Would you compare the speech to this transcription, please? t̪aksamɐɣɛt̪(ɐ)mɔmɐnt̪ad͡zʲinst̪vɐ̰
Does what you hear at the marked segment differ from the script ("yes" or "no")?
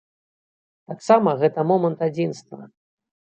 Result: no